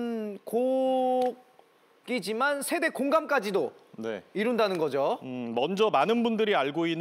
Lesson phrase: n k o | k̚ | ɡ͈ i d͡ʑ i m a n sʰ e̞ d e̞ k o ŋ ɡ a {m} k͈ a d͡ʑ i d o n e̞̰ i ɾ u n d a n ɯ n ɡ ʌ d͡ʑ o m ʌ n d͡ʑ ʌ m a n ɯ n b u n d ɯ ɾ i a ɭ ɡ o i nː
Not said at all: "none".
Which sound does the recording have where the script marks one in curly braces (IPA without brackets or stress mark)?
m